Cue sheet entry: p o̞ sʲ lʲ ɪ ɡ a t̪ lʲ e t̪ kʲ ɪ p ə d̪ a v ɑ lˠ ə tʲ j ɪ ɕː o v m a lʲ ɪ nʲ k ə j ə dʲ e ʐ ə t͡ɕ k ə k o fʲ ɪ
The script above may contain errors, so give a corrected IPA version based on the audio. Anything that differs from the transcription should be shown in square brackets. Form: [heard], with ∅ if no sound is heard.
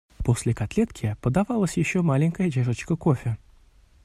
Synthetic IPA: p o̞ sʲ lʲ ɪ [k] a t̪ lʲ e t̪ kʲ ɪ p ə d̪ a v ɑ lˠ ə [sʲ] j ɪ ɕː o [∅] m a lʲ ɪ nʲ k ə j ə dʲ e ʐ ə t͡ɕ k ə k o fʲ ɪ